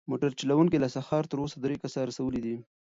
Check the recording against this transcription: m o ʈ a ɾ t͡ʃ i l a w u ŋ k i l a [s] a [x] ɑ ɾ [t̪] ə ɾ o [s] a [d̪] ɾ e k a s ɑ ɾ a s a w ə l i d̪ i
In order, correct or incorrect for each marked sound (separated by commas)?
correct, correct, correct, correct, correct